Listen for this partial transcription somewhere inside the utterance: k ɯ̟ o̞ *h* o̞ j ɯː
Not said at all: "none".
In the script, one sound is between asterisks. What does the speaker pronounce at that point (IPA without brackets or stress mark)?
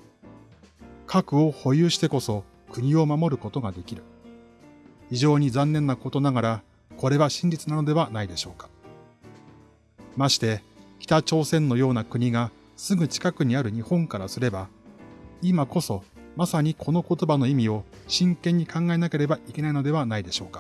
h